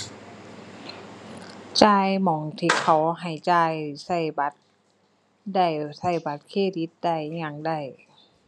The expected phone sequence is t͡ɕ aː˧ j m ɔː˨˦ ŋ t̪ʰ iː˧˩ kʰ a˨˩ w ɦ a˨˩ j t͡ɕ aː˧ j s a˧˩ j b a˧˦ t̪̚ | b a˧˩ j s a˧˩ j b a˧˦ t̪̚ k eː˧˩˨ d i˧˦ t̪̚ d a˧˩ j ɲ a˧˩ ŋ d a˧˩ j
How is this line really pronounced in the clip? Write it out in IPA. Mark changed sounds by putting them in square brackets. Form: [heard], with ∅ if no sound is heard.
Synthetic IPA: t͡ɕ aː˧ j m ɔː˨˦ ŋ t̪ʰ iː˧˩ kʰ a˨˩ w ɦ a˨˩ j t͡ɕ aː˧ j s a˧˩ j b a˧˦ t̪̚ | [d] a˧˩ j s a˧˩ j b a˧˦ t̪̚ [kʰ] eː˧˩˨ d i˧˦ t̪̚ d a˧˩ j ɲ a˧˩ ŋ d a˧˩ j